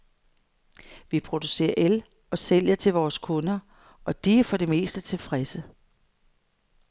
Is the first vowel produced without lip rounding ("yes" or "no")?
yes